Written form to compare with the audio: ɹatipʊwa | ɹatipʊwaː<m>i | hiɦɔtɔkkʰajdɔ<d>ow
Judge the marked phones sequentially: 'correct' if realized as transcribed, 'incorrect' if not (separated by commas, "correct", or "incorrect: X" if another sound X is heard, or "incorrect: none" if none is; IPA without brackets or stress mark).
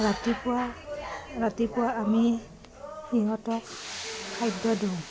correct, correct